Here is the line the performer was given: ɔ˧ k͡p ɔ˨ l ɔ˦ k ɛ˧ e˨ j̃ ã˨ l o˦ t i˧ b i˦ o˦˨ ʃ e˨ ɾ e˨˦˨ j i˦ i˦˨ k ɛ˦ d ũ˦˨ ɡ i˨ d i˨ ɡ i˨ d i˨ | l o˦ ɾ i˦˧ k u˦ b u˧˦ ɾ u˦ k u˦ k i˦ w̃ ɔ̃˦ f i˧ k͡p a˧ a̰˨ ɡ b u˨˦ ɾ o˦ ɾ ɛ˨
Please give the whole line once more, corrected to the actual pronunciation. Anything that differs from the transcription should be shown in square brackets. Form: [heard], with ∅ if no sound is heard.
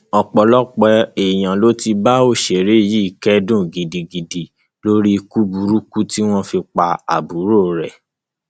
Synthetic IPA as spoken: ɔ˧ k͡p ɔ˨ l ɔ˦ [k͡p] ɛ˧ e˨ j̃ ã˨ l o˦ t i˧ b [a˦] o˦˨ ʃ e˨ ɾ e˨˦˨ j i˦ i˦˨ k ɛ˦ d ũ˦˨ ɡ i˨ d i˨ ɡ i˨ d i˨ | l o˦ ɾ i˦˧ k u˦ b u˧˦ ɾ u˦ k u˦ [t] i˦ w̃ ɔ̃˦ f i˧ k͡p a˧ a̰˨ [∅] b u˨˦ ɾ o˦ ɾ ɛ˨

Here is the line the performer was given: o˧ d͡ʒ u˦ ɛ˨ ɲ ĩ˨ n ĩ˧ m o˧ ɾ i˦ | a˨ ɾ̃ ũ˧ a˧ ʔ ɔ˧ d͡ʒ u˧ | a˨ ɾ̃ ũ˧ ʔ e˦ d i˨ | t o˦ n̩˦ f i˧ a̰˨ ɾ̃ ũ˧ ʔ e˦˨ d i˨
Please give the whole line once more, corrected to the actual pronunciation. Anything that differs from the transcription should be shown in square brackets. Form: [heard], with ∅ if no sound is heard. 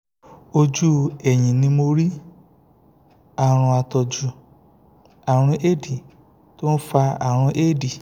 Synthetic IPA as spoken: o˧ d͡ʒ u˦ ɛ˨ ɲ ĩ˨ n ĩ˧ m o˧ ɾ i˦ | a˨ ɾ̃ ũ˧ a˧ [t] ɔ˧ d͡ʒ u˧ | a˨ ɾ̃ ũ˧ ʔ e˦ d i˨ | t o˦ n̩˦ f [a˧] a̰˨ ɾ̃ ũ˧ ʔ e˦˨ d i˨

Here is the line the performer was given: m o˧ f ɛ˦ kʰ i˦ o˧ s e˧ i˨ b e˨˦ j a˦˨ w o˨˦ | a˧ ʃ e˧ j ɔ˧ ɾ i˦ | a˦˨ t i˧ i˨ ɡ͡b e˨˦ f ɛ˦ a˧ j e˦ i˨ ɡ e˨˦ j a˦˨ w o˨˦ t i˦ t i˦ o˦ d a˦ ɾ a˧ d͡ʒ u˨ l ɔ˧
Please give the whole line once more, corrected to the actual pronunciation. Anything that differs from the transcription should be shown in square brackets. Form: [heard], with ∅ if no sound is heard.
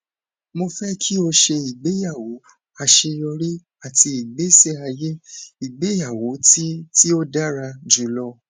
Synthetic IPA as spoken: m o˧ f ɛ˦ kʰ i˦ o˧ [ʃ] e˧ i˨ [ɡ͡b] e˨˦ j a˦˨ w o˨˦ | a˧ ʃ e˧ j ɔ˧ ɾ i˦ | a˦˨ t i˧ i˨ ɡ͡b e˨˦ [s] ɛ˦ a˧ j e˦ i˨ [ɡ͡b] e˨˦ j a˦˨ w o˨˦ t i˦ t i˦ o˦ d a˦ ɾ a˧ d͡ʒ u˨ l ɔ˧

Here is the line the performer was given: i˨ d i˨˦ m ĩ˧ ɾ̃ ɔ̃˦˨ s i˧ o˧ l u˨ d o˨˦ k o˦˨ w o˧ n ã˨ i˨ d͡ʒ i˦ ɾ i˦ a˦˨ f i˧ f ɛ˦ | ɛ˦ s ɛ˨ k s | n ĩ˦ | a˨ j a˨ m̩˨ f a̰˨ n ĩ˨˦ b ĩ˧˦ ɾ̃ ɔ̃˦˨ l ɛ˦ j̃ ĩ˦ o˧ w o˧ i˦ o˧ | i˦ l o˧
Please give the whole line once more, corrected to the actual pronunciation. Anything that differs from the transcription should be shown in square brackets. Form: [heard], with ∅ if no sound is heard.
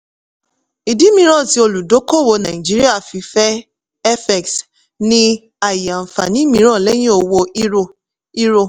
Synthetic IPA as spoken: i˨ d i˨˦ m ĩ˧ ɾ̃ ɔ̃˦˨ [t] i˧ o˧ l u˨ d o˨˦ k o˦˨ w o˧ n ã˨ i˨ d͡ʒ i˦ ɾ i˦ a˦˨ f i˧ f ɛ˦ | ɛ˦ [f] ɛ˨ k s | n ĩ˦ | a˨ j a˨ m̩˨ f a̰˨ n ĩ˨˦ [m] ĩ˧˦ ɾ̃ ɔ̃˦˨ l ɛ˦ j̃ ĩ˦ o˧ w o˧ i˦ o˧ | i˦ [ɾ] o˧

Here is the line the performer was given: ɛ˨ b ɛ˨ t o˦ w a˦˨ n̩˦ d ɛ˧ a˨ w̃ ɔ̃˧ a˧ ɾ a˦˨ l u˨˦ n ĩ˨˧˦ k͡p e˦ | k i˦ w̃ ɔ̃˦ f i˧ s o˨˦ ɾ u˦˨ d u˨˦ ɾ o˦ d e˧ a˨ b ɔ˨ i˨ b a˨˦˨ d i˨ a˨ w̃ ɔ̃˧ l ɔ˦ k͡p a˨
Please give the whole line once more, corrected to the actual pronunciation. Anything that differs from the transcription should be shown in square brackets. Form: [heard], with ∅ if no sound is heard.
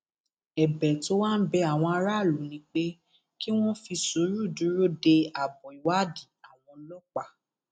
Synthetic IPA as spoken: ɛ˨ b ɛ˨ t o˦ w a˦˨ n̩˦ [b] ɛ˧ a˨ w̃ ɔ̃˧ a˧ ɾ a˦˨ l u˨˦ n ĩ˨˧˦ k͡p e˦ | k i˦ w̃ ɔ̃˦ f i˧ s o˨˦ ɾ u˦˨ d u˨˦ ɾ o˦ d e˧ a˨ b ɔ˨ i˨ [w] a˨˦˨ d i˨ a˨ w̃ ɔ̃˧ l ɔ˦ k͡p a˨

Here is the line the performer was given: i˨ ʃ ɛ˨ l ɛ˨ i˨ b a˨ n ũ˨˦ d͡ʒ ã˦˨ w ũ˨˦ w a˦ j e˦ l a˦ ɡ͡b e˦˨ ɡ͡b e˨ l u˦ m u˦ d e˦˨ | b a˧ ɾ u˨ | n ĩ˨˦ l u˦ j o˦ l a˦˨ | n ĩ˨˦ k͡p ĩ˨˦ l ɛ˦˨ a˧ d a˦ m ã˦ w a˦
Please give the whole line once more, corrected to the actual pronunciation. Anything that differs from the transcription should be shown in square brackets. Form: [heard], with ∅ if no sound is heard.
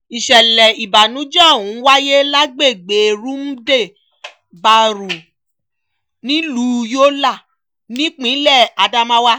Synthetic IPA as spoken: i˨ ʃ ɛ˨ l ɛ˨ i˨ b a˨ n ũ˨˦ d͡ʒ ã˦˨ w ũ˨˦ w a˦ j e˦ l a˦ ɡ͡b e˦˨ ɡ͡b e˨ [ɾ] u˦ m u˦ d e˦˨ | b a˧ ɾ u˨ | n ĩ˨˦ l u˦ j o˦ l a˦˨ | n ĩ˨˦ k͡p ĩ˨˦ l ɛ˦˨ a˧ d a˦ m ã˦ w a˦

